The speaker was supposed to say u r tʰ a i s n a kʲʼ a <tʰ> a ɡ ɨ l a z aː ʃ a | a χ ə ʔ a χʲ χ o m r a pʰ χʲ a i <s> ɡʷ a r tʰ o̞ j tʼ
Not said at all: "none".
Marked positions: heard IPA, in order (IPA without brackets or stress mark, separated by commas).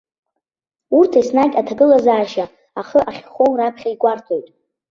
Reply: tʰ, none